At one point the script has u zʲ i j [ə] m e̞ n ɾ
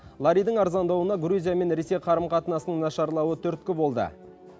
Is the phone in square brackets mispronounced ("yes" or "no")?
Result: yes